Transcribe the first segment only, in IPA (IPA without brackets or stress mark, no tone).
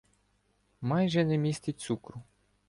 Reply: m